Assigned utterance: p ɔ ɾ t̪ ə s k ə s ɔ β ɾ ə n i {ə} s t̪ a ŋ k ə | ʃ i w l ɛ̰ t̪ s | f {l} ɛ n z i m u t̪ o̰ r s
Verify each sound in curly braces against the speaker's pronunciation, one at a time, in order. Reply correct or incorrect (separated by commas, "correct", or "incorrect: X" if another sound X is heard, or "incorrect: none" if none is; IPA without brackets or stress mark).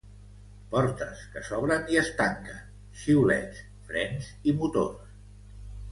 correct, incorrect: ɾ